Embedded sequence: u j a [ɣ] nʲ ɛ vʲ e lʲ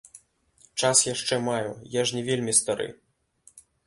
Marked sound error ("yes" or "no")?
yes